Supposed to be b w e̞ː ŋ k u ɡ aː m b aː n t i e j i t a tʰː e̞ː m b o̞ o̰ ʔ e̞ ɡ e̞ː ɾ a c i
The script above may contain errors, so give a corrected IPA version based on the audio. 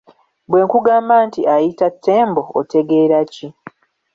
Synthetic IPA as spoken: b w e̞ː ŋ k u ɡ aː m b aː n t i a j i t a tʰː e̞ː m b o̞ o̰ t e̞ ɡ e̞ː ɾ a c i